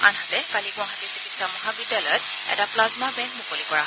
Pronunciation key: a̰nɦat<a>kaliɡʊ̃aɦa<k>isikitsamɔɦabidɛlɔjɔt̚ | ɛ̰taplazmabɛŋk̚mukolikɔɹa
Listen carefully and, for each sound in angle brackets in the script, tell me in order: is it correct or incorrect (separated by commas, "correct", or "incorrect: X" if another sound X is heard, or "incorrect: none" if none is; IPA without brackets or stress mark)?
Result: incorrect: ɛ, incorrect: t